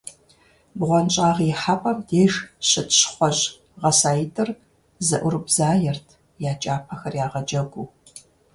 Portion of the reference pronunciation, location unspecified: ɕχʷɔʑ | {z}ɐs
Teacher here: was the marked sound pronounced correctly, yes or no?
no